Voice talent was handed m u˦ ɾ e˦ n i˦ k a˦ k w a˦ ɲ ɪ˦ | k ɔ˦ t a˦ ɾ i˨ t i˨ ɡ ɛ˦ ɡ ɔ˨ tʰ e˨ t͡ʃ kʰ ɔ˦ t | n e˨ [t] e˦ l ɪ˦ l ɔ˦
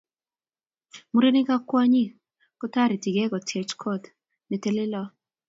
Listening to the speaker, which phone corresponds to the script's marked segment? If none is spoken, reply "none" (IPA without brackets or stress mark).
t